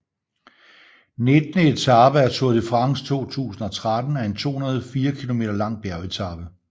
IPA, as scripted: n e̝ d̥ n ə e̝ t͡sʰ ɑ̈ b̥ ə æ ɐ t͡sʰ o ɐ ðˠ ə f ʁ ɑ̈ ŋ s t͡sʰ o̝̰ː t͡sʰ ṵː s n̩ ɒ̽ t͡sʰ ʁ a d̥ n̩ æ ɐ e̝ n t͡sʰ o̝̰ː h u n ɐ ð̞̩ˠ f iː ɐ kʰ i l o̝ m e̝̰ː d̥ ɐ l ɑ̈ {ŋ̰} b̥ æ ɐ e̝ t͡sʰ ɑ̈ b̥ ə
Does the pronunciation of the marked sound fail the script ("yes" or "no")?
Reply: no